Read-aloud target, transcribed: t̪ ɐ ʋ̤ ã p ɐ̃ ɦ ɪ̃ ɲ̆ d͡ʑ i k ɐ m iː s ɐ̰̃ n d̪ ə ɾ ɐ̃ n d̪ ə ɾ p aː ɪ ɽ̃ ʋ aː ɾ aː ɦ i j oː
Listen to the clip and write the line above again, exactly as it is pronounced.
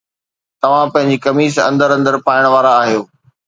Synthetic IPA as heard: t̪ ɐ ʋ̤ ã p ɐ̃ ɦ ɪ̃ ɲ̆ d͡ʑ i k ɐ m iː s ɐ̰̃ n d̪ ə ɾ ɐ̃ n d̪ ə ɾ p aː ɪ ɽ̃ ʋ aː ɾ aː ɦ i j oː

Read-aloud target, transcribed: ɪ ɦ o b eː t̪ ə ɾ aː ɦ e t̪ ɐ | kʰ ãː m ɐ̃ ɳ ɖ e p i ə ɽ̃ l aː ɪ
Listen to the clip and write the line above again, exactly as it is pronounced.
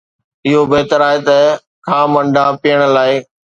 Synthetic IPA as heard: ɪ ɦ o b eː t̪ ə ɾ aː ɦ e t̪ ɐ | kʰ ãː m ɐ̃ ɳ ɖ a p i ə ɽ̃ l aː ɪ

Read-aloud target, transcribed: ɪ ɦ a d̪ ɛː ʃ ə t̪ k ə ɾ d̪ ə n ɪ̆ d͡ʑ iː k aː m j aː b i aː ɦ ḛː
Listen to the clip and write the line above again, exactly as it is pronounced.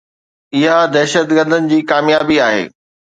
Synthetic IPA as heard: ɪ ɦ a d̪ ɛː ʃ ə t̪ ɡ ə ɾ d̪ ə n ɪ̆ d͡ʑ iː k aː m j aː b i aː ɦ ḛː

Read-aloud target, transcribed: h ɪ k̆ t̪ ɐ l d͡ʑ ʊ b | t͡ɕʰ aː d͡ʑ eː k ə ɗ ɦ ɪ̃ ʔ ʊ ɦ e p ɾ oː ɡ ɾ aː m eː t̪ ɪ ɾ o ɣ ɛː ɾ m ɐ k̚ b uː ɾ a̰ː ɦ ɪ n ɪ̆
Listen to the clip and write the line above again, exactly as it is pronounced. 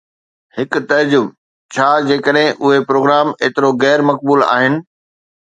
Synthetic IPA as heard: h ɪ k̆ t̪ ɐ ɾ d͡ʑ ʊ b | t͡ɕʰ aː d͡ʑ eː k ə ɗ ɦ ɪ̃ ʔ ʊ ɦ e p ɾ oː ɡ ɾ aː m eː t̪ ɪ ɾ o ɣ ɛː ɾ m ɐ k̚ b uː l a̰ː ɦ ɪ n ɪ̆

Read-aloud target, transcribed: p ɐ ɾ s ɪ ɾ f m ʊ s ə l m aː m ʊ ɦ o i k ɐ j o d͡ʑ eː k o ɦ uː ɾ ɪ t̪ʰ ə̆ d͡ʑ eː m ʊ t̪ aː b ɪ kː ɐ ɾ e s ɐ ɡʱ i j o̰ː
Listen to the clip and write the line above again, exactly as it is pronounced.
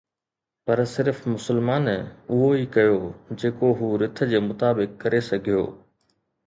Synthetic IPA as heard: p ɐ ɾ s ɪ ɾ f m ʊ s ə l m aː n ʊ ɦ o i k ɐ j o d͡ʑ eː k o ɦ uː ɾ ɪ t̪ʰ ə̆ d͡ʑ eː m ʊ t̪ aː b ɪ kː ɐ ɾ e s ɐ ɡʱ i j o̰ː

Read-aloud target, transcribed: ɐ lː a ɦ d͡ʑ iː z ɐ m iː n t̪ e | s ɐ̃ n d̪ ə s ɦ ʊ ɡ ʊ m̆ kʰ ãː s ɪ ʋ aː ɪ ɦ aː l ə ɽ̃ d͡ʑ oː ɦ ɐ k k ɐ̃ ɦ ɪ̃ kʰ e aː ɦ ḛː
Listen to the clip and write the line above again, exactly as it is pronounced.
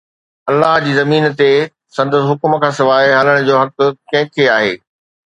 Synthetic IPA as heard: ɐ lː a ɦ d͡ʑ iː z ɐ m iː n t̪ e | s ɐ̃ n d̪ ə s ɦ ʊ k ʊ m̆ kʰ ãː s ɪ ʋ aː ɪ ɦ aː l ə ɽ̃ d͡ʑ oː ɦ ɐ k k ɐ̃ ɦ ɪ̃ kʰ e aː ɦ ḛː

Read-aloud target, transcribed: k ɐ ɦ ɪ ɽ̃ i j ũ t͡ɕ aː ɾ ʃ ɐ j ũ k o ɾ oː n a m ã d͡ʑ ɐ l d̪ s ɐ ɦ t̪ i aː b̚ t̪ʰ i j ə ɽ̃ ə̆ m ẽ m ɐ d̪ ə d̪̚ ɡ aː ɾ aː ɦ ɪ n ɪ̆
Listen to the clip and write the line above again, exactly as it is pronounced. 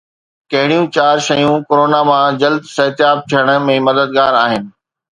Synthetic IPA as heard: k ɐ ɦ ɪ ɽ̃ i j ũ t͡ɕ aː ɾ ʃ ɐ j ũ k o ɾ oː n a m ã d͡ʑ ɐ l d̪ s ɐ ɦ t̪ j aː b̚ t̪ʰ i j ə ɽ̃ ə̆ m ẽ m ɐ d̪ ə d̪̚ ɡ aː ɾ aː ɦ ɪ n ɪ̆

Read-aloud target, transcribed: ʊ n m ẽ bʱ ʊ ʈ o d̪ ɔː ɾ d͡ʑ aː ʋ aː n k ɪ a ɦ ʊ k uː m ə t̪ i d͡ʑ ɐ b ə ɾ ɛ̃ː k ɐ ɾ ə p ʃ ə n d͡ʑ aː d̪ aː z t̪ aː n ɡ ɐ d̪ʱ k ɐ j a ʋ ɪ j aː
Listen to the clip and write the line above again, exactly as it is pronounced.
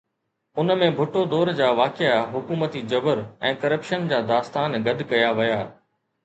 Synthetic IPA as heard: ʊ n m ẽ bʱ ʊ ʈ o d̪ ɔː ɾ d͡ʑ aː ʋ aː k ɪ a ɦ ʊ k uː m ə t̪ i d͡ʑ ɐ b ə ɾ ɛ̃ː k ɐ ɾ ə p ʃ ə n d͡ʑ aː d̪ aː s t̪ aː n ɡ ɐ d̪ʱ k ɐ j a ʋ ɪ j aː

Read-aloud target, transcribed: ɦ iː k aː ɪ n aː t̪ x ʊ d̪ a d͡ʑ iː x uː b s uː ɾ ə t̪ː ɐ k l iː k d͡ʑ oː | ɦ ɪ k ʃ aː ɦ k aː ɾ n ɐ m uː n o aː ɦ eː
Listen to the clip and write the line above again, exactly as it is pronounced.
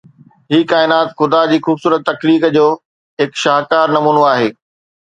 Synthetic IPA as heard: ɦ iː k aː ɪ n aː t̪ x ʊ d̪ a d͡ʑ iː x uː b s uː ɾ ə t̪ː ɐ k l iː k d͡ʑ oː | ɦ ɪ k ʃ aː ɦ k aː ɾ n ɐ m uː n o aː ɦ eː

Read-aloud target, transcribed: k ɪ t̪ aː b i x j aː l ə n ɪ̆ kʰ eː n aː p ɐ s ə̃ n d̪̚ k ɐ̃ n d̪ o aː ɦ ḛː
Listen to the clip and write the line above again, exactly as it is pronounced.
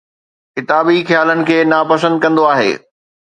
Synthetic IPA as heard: k ɪ t̪ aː b i x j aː l ə n ɪ̆ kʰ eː n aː p ɐ s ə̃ n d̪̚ k ɐ̃ n d̪ o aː ɦ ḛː

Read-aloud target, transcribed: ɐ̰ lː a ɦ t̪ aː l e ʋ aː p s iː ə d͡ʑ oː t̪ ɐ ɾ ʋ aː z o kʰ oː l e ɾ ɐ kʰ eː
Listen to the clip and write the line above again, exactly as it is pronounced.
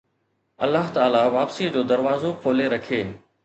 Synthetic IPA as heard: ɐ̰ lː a ɦ t̪ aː l a ʋ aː p s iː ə d͡ʑ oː d̪ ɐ ɾ ʋ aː z o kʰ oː l e ɾ ɐ kʰ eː

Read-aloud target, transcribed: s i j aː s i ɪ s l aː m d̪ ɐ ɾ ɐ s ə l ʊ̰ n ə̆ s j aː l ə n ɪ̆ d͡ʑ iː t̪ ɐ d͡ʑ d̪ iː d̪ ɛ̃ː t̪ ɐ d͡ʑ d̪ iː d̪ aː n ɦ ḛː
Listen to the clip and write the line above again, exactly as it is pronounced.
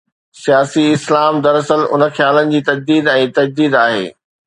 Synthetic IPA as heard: s i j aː s i ɪ s l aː m d̪ ɐ ɾ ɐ s ə l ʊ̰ n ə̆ x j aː l ə n ɪ̆ d͡ʑ iː t̪ ɐ d͡ʑ d̪ iː d̪ ɛ̃ː t̪ ɐ d͡ʑ d̪ iː d̪ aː ɦ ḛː

